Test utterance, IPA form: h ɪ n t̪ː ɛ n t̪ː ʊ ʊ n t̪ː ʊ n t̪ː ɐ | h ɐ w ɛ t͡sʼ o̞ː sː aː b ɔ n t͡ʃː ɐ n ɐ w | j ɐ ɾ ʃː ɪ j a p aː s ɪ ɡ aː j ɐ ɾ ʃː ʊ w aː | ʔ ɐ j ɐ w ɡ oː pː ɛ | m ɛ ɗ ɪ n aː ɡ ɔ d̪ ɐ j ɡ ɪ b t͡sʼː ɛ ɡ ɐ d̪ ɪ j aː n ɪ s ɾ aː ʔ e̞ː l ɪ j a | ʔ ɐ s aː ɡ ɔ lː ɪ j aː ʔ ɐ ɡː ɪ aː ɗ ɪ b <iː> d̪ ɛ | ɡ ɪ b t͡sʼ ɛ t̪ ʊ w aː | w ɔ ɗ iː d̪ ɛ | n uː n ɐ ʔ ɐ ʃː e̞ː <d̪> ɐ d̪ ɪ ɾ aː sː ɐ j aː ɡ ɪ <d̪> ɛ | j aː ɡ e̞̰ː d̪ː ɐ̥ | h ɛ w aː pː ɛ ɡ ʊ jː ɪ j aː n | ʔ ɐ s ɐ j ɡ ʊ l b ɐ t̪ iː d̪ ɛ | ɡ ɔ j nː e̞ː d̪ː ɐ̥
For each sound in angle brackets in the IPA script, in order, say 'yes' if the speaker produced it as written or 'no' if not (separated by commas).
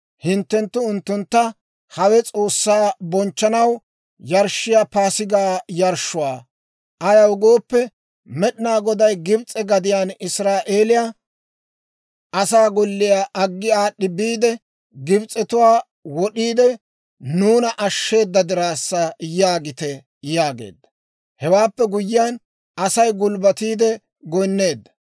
yes, no, no